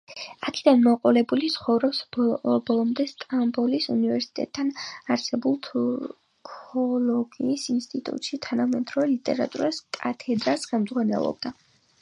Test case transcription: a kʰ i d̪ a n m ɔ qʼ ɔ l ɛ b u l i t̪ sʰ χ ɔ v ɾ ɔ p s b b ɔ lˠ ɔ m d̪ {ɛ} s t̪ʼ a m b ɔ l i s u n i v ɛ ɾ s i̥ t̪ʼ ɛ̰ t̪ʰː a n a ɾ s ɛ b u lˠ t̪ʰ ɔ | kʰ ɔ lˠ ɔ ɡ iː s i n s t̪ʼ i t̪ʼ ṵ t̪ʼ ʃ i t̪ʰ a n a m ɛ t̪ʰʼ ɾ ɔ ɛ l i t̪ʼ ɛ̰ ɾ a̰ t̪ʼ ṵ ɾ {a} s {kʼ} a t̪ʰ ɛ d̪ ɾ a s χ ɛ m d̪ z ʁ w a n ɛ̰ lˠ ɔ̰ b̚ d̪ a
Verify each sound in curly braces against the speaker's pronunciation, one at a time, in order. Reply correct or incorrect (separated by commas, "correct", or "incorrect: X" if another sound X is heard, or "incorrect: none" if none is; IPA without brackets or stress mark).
correct, correct, correct